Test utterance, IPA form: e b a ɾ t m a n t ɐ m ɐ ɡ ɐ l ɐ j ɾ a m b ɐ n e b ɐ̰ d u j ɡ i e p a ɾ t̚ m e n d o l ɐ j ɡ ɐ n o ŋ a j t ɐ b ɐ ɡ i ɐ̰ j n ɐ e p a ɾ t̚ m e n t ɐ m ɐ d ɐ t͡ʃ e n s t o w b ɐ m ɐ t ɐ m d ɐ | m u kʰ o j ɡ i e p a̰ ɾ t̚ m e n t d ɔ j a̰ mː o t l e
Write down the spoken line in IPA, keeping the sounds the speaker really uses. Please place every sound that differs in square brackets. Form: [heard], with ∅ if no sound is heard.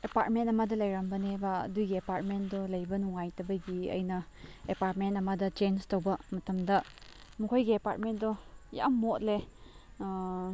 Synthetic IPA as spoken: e [p] a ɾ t m [e] n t ɐ m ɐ [d] ɐ l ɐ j ɾ a m b ɐ n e b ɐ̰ d u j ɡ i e p a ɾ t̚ m e n d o l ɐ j [b] ɐ n [u] ŋ a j t ɐ b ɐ ɡ i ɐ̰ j n ɐ e p a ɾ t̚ m e n t ɐ m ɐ d ɐ t͡ʃ e n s t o w b ɐ m ɐ t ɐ m d ɐ | m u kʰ o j ɡ i e p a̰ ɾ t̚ m e n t d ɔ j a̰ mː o t l e